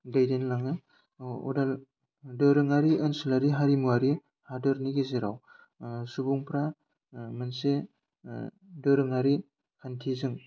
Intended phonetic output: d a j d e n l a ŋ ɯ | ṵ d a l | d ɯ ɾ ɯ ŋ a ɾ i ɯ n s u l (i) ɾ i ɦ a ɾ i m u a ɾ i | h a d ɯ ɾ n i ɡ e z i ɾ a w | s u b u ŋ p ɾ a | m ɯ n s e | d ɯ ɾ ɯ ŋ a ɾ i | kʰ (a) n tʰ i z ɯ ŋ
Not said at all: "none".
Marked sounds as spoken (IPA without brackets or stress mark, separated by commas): a, a